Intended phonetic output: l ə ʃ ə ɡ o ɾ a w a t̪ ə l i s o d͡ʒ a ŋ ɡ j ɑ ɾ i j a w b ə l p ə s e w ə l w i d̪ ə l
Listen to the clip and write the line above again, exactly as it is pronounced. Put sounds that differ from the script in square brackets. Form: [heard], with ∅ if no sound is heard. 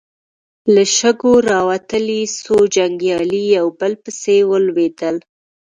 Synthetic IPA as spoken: l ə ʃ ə ɡ o ɾ [ɑ] w a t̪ ə l i s o d͡ʒ a ŋ ɡ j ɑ [l] i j a w b ə l p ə s e w ə l w [e] d̪ ə l